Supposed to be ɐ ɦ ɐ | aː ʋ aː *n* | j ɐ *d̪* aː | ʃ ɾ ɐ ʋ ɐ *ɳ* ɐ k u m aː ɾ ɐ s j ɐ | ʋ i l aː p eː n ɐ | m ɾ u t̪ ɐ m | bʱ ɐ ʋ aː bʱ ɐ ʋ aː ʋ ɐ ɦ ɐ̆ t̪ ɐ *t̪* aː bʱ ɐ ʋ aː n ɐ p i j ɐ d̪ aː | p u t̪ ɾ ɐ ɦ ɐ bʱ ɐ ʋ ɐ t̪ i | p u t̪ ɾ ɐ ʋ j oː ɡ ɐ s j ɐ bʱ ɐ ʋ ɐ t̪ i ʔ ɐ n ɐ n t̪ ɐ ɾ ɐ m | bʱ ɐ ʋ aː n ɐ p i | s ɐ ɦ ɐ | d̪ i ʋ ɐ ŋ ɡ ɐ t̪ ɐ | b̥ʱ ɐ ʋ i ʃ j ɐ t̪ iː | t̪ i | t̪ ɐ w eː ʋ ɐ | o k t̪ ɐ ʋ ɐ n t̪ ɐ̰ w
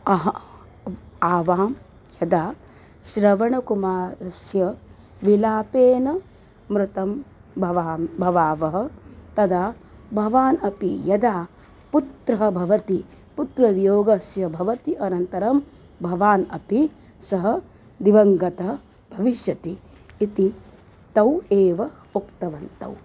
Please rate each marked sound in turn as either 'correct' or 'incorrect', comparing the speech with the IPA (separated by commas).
incorrect, correct, correct, incorrect